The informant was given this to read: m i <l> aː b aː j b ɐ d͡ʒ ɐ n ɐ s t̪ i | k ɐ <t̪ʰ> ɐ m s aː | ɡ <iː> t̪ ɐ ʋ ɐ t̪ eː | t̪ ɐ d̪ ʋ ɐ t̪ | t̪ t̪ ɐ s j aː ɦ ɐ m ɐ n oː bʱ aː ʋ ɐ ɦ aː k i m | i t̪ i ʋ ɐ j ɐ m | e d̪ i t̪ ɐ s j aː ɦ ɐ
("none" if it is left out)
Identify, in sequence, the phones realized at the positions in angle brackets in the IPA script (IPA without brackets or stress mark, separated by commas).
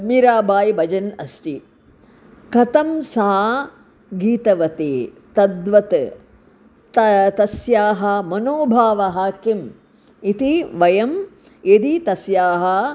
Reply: ɾ, t̪, iː